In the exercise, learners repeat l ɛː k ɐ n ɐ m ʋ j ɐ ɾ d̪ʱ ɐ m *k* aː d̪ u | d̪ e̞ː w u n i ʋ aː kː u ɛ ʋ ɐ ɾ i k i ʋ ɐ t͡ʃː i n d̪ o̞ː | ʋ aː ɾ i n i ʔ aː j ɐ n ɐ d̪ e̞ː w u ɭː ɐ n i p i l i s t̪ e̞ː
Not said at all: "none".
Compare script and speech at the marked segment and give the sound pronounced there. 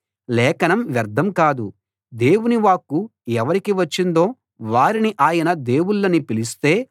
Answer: k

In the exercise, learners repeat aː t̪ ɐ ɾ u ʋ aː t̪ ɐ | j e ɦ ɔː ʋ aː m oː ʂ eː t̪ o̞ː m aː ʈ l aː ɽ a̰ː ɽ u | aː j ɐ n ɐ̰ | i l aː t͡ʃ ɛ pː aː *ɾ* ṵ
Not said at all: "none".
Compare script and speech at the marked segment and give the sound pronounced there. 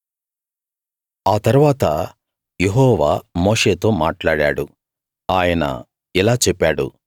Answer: ɽ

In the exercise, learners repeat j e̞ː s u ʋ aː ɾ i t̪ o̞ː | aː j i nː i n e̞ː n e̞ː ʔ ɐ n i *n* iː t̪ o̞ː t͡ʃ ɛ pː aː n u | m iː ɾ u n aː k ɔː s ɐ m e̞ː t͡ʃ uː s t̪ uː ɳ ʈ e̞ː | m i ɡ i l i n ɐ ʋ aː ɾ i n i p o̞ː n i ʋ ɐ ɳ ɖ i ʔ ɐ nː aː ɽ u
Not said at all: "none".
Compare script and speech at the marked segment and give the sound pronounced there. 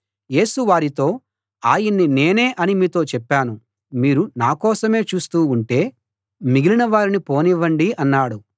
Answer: m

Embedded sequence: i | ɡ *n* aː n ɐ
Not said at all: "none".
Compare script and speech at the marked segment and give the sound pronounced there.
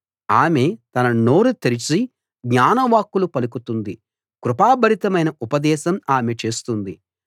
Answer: ɲ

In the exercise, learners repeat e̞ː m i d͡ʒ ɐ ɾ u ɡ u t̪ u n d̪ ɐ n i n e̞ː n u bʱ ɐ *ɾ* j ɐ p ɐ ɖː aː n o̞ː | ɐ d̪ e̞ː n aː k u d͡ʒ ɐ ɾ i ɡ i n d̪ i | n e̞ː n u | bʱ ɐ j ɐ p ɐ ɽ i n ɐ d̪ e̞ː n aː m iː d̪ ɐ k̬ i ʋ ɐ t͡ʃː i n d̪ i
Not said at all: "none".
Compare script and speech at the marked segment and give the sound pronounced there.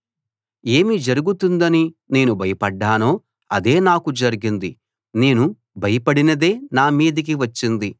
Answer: none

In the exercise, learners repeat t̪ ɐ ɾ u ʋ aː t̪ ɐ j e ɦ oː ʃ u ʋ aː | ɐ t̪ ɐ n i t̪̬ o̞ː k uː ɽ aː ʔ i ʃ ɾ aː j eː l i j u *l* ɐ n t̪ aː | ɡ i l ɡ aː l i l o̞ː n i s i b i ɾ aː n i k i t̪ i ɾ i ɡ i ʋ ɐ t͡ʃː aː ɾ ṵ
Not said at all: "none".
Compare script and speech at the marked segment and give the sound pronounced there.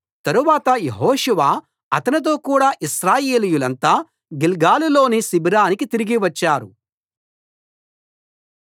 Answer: l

